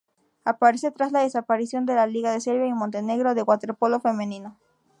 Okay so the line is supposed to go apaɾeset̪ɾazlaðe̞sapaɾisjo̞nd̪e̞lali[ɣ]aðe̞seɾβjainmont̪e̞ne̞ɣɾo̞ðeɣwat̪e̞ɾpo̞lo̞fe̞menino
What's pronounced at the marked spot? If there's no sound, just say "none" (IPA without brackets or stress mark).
ɣ